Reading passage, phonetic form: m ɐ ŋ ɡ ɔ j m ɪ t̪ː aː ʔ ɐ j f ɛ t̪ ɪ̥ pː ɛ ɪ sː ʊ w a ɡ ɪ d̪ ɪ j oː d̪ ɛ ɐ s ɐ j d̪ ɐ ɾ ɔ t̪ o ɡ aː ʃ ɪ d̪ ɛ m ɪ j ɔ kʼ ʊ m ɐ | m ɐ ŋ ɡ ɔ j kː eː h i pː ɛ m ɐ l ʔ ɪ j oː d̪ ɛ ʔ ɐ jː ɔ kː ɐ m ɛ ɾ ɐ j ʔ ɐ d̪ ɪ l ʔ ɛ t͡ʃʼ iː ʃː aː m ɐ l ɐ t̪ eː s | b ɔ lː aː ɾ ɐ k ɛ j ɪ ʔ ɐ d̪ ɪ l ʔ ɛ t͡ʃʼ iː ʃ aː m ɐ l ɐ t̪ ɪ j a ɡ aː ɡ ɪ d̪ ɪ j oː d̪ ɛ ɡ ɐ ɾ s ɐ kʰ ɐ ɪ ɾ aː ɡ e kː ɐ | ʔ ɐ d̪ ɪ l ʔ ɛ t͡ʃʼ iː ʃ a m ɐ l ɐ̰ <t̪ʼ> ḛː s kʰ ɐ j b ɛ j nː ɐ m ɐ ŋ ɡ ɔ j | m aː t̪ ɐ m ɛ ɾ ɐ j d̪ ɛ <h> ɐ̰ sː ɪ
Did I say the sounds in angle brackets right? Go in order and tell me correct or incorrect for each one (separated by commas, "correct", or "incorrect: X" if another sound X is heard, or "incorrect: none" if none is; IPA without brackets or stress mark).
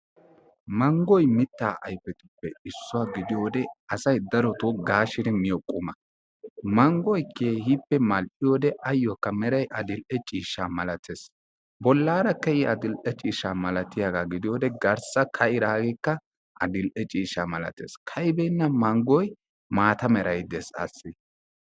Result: incorrect: t̪, incorrect: s